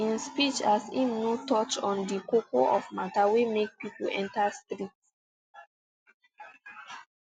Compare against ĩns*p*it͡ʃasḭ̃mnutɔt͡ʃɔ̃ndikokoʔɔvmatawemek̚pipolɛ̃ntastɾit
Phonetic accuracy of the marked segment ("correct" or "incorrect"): correct